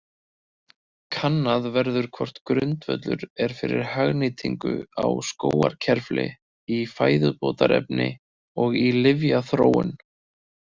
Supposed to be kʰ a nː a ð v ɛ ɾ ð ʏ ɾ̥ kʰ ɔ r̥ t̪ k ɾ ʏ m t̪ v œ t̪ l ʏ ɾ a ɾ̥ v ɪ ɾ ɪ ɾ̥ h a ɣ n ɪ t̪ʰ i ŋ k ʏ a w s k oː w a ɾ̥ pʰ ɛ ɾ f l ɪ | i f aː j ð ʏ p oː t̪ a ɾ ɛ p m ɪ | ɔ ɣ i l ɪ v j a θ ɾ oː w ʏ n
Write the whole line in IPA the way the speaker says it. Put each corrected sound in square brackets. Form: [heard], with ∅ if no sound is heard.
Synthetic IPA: kʰ a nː a ð v ɛ ɾ ð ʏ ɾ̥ kʰ ɔ r̥ t̪ k ɾ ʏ [n] t̪ v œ t̪ l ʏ ɾ [ɛ] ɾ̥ [f] ɪ ɾ ɪ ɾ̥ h a ɣ n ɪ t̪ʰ i ŋ k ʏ a w s k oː w a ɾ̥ [cʰ] ɛ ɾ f l ɪ | i f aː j ð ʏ p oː t̪ a ɾ ɛ p [n] ɪ | ɔ ɣ i l ɪ v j a θ ɾ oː w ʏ n